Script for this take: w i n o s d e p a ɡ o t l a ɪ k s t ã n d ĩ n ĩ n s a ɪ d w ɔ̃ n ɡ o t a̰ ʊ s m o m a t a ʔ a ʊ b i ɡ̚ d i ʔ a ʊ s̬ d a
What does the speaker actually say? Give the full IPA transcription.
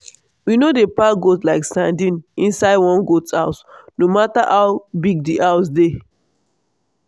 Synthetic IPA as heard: w i n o d e p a ɡ o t l a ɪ k s t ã n d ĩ n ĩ n s a ɪ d w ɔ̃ n ɡ o t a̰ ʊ s n o m a t a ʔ a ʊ b i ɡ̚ d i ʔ a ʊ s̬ d e

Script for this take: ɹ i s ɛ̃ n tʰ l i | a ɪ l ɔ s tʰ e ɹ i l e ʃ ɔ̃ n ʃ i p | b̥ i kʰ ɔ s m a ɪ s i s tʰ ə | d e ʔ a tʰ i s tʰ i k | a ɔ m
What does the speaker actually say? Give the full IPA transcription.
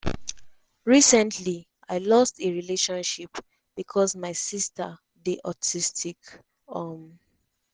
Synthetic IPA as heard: ɹ i s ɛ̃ n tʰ l i | a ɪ l ɔ s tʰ e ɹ i l e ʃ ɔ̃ n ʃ i p | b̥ i kʰ ɔ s m a ɪ s i s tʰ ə | d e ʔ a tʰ i s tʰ i k | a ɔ m

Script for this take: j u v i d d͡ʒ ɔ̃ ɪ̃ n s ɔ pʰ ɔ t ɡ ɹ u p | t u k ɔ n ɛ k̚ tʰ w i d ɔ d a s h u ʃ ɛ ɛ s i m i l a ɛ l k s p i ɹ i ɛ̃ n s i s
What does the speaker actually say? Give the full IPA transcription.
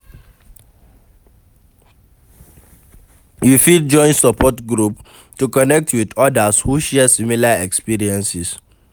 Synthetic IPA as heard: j u f i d d͡ʒ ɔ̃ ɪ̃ n s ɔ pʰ ɔ t ɡ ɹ u p | t u k ɔ n ɛ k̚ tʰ w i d ɔ d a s h u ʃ ɛ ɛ s i m i l a ɛ k s p i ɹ i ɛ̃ n s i s

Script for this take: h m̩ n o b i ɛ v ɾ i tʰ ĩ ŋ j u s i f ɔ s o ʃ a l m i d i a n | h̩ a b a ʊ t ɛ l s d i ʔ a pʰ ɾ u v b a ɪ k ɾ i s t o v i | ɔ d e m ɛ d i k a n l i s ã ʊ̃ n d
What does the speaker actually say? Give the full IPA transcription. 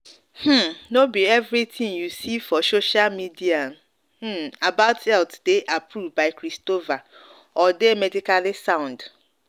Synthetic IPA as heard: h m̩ n o b i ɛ v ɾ i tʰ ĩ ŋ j u s i f ɔ s o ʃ a l m i d i a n | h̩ a b a ʊ t ɛ l t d e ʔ a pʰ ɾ u v b a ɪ k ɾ i s t o v a | ɔ d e m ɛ d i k a l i s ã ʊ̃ n d

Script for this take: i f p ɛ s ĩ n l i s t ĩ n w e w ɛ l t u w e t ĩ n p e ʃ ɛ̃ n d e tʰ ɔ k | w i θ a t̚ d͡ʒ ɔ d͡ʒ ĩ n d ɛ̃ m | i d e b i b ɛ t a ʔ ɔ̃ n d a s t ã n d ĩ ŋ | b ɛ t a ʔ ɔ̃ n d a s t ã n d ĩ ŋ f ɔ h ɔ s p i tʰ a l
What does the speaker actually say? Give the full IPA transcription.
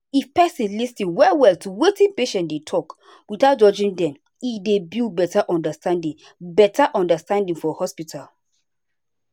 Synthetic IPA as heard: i f p ɛ s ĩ n l i s t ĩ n w ɛ w ɛ l t u w e t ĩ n p e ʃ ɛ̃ n d e tʰ ɔ k | w i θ a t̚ d͡ʒ ɔ d͡ʒ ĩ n d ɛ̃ m | i d e b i b ɛ t a ʔ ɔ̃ n d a s t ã n d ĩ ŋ | b ɛ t a ʔ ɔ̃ n d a s t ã n d ĩ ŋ f ɔ h ɔ s p i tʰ a l

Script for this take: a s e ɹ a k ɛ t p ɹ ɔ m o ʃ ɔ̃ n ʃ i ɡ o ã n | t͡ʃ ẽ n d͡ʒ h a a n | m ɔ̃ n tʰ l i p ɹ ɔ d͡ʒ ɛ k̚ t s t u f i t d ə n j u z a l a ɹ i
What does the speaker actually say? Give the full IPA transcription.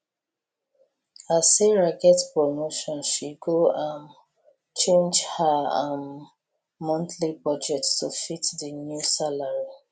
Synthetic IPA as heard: a s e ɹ a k ɛ t p ɹ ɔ m o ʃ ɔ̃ n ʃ i ɡ o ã n | t͡ʃ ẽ n d͡ʒ h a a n | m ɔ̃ n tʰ l i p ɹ ɔ d͡ʒ ɛ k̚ t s t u f i t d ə n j u s a l a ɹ i

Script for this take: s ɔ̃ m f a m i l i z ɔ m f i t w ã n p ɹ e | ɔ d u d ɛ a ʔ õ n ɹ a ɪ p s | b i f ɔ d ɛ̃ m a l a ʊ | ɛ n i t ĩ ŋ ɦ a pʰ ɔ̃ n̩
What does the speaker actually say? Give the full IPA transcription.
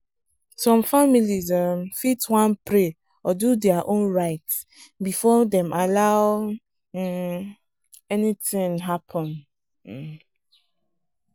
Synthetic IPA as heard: s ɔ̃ m f a m i l i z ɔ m f i t w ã n p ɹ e | ɔ d u d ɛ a ʔ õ n ɹ a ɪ t s | b i f ɔ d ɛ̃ m a l a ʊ | ɛ n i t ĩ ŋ ɦ a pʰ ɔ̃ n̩

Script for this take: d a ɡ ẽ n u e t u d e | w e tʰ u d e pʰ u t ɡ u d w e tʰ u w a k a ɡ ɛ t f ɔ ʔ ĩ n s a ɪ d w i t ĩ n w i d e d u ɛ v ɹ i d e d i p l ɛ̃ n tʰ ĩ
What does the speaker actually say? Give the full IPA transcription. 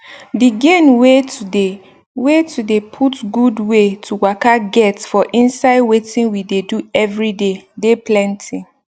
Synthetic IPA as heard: d i ɡ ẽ n w e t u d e | w e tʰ u d e pʰ u t ɡ u d w e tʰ u w a k a ɡ ɛ t f ɔ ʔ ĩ n s a ɪ d w e t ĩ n w i d e d u ɛ v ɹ i d e d e p l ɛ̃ n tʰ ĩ

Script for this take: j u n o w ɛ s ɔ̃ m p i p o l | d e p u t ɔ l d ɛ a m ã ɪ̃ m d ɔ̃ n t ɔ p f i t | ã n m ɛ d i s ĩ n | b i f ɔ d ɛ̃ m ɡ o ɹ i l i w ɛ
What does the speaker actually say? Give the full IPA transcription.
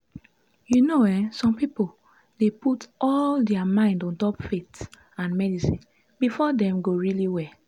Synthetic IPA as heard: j u n o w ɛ s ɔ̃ m p i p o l | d e p u t ɔ l d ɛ a m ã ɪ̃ n d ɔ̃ n t ɔ p f e t | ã n m ɛ d i s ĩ n | b i f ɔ d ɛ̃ m ɡ o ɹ i l i w ɛ

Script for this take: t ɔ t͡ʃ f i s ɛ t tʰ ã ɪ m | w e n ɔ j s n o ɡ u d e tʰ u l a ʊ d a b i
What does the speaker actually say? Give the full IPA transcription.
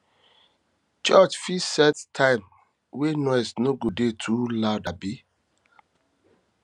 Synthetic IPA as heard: t͡ʃ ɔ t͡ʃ f i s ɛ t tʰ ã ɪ m | w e n ɔ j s n o ɡ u d e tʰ u l a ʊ d a b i

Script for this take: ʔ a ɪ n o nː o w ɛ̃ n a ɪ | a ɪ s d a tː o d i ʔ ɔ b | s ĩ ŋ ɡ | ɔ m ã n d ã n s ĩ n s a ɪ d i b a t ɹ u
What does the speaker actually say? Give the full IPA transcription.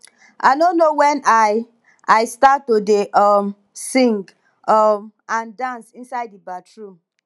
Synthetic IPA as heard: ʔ a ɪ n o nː o w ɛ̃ n a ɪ | a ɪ s t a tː o d e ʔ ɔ m | s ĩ ŋ ɡ | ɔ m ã n d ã n s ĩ n s a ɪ d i b a t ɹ u

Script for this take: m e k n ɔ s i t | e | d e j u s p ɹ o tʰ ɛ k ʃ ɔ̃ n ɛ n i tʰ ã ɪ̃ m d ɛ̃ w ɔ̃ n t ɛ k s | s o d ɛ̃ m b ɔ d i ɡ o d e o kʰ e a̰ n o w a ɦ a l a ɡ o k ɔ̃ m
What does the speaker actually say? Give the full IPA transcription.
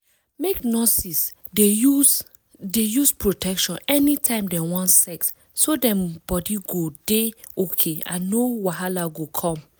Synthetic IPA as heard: m e k n ɔ s i s | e | d e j u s p ɹ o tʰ ɛ k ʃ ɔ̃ n ɛ n i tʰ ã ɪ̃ m d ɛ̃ w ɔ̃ n s ɛ k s | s o d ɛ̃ m b ɔ d i ɡ o d e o kʰ e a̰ n o w a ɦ a l a ɡ o kʰ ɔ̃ m

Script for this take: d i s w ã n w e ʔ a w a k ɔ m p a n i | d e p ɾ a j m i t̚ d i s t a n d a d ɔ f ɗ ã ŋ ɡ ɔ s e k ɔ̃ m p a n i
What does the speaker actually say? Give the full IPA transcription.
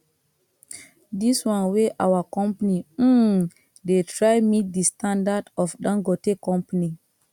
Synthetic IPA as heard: d i s w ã n w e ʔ a w a k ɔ m p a n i | d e t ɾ a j m i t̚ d i s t a n d a d ɔ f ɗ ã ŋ ɡ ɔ t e k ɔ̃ m p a n i

